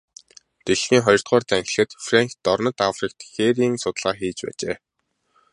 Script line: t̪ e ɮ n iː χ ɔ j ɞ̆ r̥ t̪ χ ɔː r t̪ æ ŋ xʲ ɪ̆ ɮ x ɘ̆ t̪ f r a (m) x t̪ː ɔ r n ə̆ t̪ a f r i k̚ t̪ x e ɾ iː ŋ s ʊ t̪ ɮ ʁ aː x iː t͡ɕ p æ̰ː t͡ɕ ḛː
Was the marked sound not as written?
yes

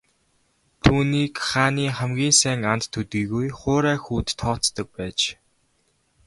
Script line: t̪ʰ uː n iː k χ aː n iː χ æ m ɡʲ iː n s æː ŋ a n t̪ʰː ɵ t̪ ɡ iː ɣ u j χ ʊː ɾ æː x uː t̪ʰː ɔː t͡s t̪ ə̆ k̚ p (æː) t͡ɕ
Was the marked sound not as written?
no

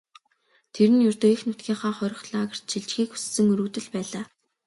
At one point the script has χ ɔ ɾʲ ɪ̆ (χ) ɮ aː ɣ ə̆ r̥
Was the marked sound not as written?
no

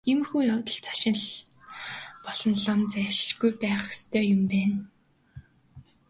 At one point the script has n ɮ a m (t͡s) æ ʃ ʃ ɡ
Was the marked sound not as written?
no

